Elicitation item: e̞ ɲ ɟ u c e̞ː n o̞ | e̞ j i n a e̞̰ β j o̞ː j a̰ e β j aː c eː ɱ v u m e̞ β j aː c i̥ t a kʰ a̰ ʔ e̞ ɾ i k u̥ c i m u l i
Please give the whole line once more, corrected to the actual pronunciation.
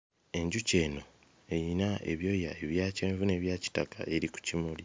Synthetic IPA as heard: e̞ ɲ ɟ u c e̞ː n o̞ | e̞ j i n a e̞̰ β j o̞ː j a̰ e β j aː c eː ɱ v u n e̞ β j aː c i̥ t a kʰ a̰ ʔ e̞ ɾ i k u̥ c i m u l i